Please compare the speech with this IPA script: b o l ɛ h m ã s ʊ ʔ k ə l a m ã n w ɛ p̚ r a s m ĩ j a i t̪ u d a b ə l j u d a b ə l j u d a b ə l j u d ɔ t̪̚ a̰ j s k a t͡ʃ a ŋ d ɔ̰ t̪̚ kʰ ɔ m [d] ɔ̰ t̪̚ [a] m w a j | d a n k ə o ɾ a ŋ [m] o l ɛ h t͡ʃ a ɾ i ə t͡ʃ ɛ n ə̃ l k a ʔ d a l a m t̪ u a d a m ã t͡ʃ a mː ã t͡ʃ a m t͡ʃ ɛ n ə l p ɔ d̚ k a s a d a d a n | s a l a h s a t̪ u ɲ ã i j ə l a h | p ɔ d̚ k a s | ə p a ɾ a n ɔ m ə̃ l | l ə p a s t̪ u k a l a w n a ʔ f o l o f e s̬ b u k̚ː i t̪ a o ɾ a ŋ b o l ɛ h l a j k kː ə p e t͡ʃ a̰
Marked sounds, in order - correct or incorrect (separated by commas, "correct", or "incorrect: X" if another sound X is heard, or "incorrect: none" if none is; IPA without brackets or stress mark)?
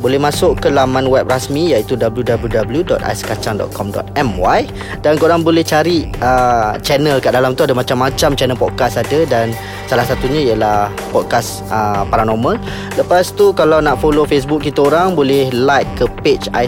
correct, incorrect: ɛ, incorrect: b